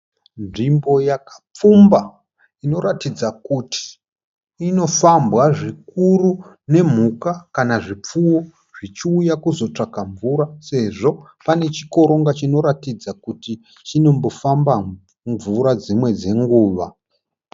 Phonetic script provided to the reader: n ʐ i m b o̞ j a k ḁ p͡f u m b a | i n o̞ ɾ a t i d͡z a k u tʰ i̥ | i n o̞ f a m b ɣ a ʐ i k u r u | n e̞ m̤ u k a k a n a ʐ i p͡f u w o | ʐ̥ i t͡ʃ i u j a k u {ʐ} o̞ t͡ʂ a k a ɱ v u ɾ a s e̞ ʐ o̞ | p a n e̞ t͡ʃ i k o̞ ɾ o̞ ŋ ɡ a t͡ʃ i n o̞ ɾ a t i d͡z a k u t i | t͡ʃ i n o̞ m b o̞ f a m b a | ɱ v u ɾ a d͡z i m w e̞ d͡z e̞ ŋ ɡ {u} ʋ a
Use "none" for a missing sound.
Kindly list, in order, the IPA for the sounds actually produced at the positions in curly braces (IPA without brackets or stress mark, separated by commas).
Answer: z, uː